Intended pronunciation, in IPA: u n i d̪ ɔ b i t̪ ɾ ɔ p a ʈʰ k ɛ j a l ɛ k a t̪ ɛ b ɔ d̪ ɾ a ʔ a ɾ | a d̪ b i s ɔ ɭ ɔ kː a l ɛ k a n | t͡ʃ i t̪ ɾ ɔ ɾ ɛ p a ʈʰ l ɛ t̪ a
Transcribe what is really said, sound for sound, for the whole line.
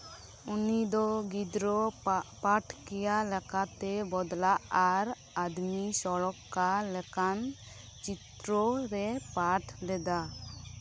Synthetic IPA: u n i d̪ ɔ ɡ i d̪ ɾ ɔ p a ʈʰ k ɛ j a l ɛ k a t̪ ɛ b ɔ d̪ l a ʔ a ɾ | a d̪ m i s ɔ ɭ ɔ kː a l ɛ k a n | t͡ʃ i t̪ ɾ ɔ ɾ ɛ p a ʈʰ l ɛ d̪ a